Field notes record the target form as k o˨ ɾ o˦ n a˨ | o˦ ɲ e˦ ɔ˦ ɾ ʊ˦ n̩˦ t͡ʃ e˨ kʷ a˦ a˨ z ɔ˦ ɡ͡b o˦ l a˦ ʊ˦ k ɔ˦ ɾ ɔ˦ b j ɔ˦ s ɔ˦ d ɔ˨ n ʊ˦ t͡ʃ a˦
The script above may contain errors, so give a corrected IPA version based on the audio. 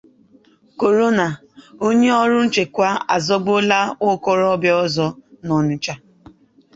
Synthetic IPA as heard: k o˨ ɾ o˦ n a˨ | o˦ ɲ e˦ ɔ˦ ɾ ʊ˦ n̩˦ t͡ʃ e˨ kʷ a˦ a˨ z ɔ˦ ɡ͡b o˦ l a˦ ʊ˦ k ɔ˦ ɾ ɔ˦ b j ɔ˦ z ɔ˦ n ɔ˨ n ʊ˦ t͡ʃ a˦

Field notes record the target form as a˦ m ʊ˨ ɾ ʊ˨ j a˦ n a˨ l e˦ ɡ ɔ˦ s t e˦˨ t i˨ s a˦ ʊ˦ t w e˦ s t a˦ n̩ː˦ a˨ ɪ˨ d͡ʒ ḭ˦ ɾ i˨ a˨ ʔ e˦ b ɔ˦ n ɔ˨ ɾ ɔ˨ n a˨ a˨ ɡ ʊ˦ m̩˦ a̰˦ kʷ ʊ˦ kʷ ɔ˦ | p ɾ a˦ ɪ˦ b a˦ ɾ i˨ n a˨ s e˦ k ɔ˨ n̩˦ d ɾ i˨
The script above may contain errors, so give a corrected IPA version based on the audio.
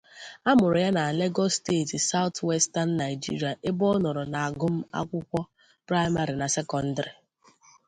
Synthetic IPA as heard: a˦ m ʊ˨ ɾ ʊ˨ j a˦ n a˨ l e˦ ɡ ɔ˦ s t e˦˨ t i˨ s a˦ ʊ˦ t w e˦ s t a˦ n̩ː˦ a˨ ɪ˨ d͡ʒ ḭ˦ ɾ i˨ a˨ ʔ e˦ b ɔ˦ n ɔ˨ ɾ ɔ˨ n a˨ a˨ ɡ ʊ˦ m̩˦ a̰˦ kʷ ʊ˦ kʷ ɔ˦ | p ɾ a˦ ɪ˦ m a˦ ɾ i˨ n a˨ s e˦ k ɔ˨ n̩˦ d ɾ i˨

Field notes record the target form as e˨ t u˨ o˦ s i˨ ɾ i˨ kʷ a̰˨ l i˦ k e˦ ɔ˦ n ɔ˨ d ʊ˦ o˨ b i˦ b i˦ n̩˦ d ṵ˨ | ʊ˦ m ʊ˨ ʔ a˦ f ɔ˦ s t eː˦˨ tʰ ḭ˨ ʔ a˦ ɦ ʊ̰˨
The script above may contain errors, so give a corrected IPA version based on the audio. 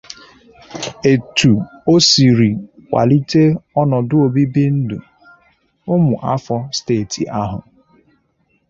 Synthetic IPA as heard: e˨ t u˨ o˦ s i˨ ɾ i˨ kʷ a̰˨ l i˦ t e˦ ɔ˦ n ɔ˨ d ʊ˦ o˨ b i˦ b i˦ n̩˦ d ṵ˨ | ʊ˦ m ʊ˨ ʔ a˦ f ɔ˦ s t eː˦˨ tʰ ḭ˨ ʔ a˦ ɦ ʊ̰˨

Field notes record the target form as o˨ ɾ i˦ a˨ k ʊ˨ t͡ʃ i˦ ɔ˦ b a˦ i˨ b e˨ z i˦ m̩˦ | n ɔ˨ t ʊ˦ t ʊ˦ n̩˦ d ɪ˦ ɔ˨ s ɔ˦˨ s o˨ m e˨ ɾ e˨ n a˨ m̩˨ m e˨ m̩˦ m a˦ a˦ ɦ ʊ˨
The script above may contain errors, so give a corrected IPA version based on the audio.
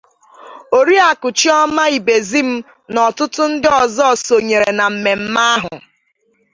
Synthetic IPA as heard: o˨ ɾ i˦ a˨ k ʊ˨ t͡ʃ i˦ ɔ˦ m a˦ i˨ b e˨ z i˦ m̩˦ | n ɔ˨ t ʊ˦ t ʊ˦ n̩˦ d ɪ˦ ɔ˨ z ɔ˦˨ s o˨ ɲ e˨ ɾ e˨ n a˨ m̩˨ m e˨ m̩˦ m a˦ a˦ ɦ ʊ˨

